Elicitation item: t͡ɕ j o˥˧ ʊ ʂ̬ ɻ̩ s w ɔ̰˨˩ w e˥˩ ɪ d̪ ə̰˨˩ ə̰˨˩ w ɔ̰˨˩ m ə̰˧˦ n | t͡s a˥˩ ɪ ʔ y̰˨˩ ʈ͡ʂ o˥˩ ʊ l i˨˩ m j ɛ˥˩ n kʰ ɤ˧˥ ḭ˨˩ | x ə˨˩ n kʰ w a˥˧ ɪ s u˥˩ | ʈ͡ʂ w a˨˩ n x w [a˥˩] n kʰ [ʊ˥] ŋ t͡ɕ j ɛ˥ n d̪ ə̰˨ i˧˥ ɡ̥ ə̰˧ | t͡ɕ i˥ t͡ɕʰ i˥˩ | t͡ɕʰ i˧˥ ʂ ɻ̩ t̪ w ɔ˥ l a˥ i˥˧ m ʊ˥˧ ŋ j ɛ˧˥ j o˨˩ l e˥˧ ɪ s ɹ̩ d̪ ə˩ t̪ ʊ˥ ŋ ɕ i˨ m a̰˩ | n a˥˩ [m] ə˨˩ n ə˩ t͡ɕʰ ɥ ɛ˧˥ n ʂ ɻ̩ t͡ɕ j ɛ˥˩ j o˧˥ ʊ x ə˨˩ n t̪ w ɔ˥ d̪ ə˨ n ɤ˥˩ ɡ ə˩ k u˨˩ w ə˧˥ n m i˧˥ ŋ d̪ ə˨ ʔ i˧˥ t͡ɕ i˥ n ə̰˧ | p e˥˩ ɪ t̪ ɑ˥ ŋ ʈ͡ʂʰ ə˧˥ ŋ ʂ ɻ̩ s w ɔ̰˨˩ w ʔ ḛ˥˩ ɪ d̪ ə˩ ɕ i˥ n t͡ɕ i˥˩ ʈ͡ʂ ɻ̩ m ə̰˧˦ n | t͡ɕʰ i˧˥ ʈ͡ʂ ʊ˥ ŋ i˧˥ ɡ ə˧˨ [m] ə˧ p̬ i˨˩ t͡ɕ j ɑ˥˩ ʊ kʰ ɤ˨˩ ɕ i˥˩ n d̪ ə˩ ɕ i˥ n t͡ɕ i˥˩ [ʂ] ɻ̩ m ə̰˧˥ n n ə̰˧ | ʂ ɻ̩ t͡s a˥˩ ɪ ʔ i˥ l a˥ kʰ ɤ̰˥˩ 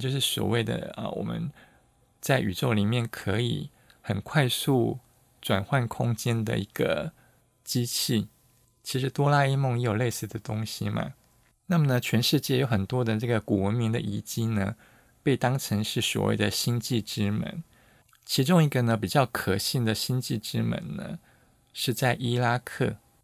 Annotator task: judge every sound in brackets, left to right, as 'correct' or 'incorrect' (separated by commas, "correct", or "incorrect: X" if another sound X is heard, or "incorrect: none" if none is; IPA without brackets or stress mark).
correct, correct, correct, incorrect: n, incorrect: ʈ͡ʂ